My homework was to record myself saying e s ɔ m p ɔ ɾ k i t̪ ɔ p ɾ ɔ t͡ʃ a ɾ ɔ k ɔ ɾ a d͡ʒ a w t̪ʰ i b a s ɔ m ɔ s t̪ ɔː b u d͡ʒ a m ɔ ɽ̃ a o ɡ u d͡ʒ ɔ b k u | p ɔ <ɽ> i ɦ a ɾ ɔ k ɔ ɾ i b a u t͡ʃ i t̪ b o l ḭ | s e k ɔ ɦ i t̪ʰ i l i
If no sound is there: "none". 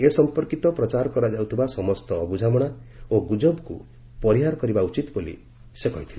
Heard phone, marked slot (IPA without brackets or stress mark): ɾ